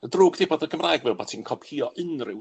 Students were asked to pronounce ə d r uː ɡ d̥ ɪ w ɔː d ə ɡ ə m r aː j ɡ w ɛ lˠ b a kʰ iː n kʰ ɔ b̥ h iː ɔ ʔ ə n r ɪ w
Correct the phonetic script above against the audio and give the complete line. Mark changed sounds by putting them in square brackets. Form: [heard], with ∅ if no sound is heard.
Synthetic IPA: ə d r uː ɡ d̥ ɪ [b] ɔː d ə ɡ ə m r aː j ɡ [v] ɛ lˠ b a [tʰ] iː n kʰ ɔ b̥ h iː ɔ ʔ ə n r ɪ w